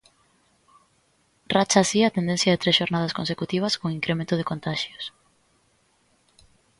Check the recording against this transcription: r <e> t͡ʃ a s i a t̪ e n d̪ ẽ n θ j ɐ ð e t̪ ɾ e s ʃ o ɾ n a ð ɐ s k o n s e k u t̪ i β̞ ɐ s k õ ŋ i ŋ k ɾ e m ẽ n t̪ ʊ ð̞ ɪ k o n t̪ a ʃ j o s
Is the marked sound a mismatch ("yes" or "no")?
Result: yes